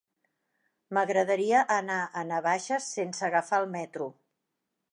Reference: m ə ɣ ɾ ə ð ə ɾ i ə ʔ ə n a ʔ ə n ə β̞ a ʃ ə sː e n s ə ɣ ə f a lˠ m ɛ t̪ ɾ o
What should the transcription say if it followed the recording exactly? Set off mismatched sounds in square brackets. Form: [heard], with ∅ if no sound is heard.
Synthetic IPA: m ə ɣ ɾ ə ð ə ɾ i ə ʔ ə n a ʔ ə n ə β̞ a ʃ ə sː e n s ə ɣ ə f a lˠ m ɛ t̪ ɾ [u]